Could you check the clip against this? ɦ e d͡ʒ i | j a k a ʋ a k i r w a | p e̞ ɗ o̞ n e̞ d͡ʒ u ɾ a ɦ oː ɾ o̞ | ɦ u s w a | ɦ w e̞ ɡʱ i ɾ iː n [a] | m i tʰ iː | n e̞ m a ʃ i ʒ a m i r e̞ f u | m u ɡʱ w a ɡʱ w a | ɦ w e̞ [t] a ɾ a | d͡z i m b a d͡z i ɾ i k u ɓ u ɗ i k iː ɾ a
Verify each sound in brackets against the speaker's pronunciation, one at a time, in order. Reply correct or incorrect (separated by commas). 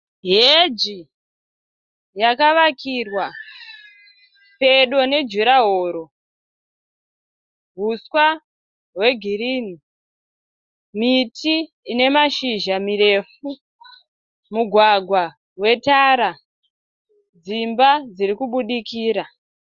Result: incorrect, correct